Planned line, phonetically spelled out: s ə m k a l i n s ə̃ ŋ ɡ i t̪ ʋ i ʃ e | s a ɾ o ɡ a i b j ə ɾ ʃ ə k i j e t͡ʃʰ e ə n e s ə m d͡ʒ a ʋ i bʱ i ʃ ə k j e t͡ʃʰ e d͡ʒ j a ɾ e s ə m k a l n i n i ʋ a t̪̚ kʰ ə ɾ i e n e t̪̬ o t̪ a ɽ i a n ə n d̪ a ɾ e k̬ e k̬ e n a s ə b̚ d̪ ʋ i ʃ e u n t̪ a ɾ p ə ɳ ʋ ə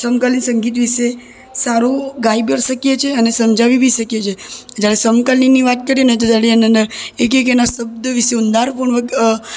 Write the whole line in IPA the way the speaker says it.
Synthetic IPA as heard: s ə m k a l i n s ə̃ ŋ ɡ i t̪ ʋ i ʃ e | s a ɾ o ɡ a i b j ə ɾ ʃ ə k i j e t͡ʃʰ e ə n e s ə m d͡ʒ a ʋ i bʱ i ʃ ə k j e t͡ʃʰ e d͡ʒ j a ɾ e s ə m k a l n i n i ʋ a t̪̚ k ə ɾ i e n e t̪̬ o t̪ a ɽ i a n ə n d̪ ə ɾ e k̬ e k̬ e n a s ə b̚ d̪ ʋ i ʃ e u n d̪ a ɾ p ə ɳ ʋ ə